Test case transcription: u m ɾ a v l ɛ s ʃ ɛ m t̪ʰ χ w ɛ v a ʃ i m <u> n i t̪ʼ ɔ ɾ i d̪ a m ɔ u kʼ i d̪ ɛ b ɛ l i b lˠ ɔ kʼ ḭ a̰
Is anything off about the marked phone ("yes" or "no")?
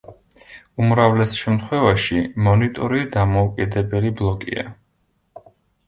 yes